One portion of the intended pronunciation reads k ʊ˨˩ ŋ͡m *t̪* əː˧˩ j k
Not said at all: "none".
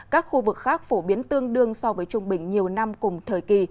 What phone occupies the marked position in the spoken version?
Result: t̪ʰ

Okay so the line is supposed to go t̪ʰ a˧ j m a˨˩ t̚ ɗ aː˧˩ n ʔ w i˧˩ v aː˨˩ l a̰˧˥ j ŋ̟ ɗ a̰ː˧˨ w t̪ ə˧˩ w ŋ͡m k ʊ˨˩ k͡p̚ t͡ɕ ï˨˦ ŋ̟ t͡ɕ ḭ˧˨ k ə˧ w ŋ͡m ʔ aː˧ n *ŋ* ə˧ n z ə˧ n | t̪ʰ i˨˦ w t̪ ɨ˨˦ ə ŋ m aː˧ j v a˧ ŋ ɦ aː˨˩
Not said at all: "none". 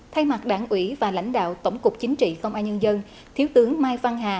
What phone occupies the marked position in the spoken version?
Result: ɲ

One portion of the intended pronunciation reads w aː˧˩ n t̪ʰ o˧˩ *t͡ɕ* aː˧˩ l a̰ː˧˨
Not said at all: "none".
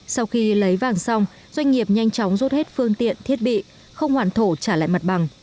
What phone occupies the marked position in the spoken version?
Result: t͡ɕ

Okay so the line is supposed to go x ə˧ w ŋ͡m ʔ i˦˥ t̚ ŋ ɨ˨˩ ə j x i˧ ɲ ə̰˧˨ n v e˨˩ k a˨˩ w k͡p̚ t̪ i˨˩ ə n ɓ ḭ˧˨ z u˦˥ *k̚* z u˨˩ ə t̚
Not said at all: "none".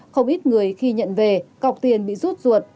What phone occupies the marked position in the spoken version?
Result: t̚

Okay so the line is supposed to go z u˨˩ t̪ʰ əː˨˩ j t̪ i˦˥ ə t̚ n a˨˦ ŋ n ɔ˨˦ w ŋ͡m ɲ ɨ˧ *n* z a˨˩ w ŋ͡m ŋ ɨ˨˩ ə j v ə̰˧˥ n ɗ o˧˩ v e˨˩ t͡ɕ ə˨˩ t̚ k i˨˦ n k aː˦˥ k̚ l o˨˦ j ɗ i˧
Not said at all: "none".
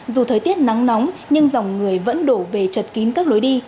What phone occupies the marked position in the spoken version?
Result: ŋ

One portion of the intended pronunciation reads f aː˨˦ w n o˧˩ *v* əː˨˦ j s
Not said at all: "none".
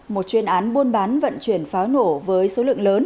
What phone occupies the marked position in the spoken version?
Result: v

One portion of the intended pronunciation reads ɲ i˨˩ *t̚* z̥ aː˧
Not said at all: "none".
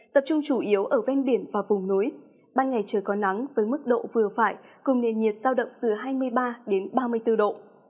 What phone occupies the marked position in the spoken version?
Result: t̚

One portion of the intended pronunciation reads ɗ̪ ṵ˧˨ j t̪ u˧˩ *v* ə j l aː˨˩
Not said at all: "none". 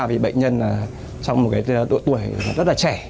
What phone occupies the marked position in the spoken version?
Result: none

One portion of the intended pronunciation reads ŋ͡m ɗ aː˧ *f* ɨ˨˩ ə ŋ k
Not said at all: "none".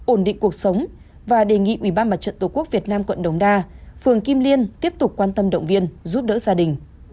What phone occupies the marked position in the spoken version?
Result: f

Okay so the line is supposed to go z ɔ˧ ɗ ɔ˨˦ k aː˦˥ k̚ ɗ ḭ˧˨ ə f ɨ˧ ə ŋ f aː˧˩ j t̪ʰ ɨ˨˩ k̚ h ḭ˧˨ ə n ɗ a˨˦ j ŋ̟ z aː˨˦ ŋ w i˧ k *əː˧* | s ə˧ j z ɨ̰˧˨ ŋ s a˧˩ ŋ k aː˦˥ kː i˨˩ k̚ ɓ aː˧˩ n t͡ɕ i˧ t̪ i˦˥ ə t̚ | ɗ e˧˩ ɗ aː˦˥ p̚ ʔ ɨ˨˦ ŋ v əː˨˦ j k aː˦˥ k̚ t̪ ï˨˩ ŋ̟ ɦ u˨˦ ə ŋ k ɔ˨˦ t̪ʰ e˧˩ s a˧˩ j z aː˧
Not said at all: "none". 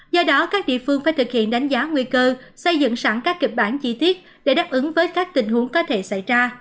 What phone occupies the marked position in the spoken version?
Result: əː˧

